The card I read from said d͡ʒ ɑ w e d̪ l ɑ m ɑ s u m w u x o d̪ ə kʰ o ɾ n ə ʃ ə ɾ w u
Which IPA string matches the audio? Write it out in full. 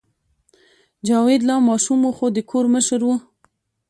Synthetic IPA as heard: d͡ʒ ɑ w e d̪ l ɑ m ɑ ʃ u m w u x o d̪ ə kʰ o ɾ m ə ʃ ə ɾ w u